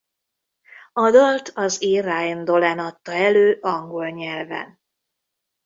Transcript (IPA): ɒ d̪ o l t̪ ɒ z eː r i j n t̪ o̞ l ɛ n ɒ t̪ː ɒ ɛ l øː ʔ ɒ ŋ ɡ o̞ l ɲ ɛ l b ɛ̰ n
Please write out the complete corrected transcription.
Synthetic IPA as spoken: ɒ d̪ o l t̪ ɒ z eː r a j n d̪ o̞ l ɛ n ɒ t̪ː ɒ ɛ l øː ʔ ɒ ŋ ɡ o̞ l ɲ ɛ l v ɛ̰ n